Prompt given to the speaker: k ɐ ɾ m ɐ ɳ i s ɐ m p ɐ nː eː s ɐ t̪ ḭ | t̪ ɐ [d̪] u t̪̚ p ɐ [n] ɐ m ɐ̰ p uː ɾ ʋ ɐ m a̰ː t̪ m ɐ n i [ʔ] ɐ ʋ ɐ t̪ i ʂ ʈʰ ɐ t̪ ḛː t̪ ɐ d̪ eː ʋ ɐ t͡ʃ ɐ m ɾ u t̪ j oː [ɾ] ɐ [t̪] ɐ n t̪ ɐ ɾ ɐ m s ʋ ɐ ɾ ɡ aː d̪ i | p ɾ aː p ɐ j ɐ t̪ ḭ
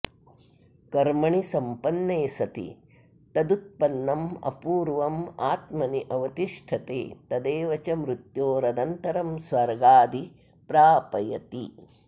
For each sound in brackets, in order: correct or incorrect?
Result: correct, incorrect: nː, correct, correct, incorrect: d̪

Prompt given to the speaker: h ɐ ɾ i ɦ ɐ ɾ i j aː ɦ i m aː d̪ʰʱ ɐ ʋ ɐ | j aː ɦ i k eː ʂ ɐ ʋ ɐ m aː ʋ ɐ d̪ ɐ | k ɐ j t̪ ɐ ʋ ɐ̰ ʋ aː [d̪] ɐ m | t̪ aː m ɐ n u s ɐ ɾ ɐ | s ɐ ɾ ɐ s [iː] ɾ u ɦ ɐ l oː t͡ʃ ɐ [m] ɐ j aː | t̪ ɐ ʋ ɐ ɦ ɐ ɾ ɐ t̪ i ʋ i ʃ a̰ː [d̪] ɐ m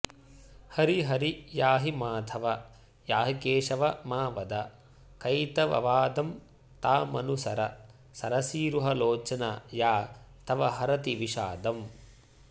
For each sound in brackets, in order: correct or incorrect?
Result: correct, correct, incorrect: n, correct

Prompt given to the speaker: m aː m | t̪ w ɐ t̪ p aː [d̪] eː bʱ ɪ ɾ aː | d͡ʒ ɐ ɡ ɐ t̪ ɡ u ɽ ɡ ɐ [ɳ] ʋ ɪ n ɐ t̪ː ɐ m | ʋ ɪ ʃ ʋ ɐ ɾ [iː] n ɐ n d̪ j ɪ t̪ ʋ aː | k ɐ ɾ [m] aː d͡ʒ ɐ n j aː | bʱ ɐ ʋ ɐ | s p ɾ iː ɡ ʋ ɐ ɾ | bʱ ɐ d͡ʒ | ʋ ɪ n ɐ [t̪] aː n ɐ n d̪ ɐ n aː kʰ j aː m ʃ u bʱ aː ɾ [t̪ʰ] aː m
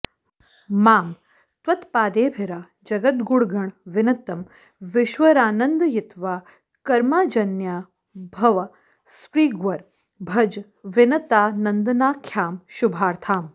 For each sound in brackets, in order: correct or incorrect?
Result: correct, correct, incorrect: aː, correct, correct, correct

